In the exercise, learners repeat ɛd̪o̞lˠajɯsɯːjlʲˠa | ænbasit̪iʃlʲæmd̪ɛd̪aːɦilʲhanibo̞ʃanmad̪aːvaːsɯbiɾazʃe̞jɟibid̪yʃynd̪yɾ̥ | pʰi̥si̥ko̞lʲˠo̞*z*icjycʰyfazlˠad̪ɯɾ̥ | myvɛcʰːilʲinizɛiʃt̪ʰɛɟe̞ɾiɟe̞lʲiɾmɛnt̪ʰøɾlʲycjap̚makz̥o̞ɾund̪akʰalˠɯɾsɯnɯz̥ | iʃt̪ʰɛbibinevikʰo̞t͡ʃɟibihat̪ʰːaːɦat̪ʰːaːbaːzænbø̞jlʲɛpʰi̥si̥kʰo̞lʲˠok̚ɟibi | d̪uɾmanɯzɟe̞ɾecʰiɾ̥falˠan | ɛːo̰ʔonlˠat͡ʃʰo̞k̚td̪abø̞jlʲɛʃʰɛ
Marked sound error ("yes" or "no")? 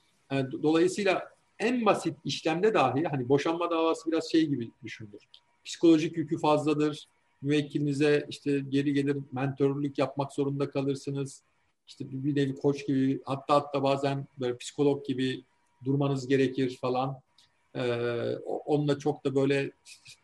yes